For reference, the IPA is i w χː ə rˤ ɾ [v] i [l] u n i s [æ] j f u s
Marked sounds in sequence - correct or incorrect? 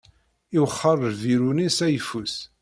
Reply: correct, incorrect: ɾ, correct

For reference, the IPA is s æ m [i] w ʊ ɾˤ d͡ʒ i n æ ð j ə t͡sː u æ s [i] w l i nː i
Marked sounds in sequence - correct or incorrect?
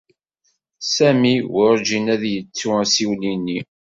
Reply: correct, correct

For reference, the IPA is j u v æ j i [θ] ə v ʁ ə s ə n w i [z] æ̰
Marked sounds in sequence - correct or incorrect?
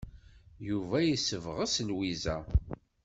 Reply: incorrect: s, correct

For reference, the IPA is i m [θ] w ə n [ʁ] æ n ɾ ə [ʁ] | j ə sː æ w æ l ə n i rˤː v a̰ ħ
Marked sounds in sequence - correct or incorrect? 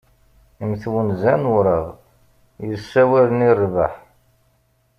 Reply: correct, incorrect: z, correct

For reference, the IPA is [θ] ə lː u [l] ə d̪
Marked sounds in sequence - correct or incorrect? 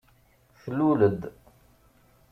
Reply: correct, correct

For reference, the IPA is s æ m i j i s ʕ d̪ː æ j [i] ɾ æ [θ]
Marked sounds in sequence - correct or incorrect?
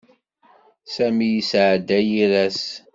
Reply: correct, incorrect: s

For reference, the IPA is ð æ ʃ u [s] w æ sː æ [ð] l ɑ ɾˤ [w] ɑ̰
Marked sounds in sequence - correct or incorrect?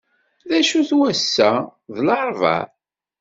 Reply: incorrect: θ, correct, incorrect: v

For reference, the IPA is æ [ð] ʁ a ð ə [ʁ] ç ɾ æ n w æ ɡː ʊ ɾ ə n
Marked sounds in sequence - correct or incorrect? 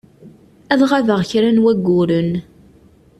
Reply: correct, correct

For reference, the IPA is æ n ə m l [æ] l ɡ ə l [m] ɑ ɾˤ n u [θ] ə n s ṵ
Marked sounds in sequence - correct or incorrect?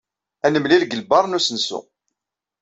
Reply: incorrect: i, incorrect: b, incorrect: s

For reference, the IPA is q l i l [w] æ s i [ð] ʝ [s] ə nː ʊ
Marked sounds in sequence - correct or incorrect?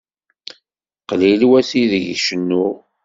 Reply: correct, correct, incorrect: ʃ

